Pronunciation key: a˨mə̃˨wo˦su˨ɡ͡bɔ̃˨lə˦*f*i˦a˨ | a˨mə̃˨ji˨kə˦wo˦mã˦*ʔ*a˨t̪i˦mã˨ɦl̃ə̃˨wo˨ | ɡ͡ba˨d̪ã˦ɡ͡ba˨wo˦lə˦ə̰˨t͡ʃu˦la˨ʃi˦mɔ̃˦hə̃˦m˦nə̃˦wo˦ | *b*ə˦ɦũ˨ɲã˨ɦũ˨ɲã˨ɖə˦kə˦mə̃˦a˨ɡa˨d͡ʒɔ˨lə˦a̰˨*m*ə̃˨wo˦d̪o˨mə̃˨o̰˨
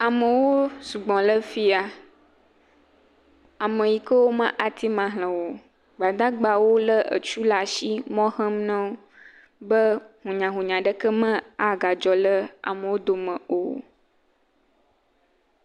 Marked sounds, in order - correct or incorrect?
correct, correct, correct, correct

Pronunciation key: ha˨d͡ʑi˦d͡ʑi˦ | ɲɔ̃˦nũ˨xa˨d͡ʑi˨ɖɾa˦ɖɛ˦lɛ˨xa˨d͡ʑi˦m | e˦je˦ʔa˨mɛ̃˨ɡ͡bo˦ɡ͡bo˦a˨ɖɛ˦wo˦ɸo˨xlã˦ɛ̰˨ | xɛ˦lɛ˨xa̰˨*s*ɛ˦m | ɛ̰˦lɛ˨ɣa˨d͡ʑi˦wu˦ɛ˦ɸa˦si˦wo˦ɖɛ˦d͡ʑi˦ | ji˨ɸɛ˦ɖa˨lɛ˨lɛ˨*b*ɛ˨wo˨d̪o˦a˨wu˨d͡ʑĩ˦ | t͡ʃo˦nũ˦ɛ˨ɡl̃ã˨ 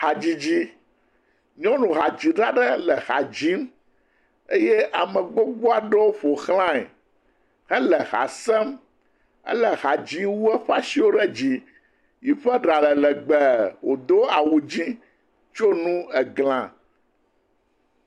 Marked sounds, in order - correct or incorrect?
correct, incorrect

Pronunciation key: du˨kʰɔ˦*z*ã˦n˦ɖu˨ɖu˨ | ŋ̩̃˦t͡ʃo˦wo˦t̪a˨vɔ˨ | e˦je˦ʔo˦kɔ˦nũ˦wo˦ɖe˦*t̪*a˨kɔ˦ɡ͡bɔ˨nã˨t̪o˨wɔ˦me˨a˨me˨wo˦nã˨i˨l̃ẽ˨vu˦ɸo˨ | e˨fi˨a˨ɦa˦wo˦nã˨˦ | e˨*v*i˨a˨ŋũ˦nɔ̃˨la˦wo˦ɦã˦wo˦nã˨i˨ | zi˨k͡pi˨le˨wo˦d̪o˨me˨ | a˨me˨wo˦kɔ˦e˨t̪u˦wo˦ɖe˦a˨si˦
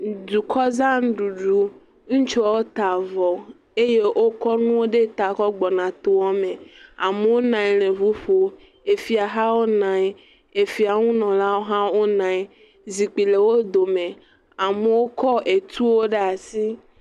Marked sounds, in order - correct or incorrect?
correct, correct, incorrect

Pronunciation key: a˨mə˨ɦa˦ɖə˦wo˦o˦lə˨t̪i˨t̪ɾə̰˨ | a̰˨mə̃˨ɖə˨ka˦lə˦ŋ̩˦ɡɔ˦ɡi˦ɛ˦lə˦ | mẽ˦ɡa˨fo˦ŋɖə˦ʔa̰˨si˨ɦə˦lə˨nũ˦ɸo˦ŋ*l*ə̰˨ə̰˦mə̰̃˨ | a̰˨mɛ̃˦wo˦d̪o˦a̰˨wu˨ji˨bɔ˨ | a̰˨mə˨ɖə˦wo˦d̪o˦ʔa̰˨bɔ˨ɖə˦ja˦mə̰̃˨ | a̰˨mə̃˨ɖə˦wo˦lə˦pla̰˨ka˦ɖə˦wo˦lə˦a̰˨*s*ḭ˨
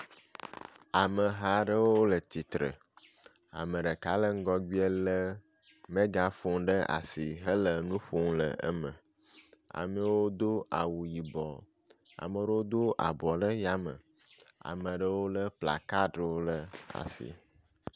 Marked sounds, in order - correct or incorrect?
correct, correct

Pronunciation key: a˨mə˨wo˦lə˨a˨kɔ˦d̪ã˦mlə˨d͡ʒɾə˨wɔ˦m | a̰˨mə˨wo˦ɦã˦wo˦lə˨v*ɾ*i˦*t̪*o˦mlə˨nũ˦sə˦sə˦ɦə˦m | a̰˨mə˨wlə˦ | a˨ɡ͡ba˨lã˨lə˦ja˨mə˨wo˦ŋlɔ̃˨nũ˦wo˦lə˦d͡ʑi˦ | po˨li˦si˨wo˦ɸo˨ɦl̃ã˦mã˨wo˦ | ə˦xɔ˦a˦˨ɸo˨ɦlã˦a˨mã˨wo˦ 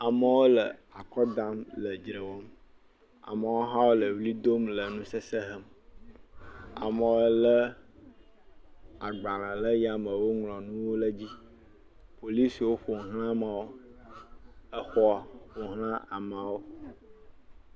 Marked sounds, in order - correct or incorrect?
incorrect, incorrect

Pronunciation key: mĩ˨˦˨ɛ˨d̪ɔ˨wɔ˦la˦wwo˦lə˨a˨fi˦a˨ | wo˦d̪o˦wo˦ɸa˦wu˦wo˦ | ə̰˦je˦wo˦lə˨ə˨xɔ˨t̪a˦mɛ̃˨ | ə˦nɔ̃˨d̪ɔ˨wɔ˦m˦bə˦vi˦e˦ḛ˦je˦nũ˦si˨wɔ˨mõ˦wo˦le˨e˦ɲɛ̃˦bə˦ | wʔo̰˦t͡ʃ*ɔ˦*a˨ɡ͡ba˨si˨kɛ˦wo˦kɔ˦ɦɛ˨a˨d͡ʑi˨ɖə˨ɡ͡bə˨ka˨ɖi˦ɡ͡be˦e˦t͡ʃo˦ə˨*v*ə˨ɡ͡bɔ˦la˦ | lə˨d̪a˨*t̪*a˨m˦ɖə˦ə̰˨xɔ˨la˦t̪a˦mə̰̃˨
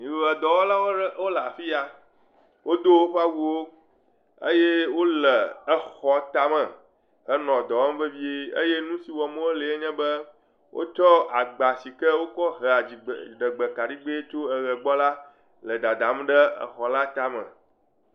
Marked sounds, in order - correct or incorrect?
correct, incorrect, incorrect

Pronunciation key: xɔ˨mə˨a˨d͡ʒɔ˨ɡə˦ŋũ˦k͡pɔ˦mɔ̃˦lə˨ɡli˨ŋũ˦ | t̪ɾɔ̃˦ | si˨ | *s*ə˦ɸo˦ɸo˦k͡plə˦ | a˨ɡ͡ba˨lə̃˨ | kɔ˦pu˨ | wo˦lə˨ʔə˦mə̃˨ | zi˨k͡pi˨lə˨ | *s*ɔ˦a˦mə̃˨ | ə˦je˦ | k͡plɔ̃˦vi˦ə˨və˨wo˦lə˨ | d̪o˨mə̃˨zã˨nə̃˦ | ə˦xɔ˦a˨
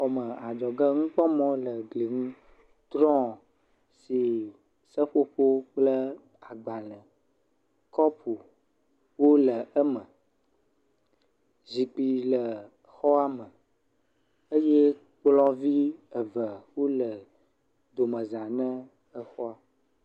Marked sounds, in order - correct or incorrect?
correct, incorrect

